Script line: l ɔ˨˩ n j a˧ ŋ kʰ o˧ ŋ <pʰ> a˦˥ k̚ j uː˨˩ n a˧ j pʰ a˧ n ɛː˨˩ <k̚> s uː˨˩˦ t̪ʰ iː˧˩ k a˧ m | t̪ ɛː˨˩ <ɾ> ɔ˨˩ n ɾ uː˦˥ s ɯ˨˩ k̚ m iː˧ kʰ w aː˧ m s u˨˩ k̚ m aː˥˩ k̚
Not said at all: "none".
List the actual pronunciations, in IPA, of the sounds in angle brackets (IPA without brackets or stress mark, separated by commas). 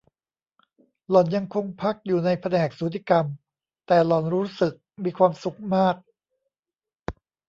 pʰ, k̚, l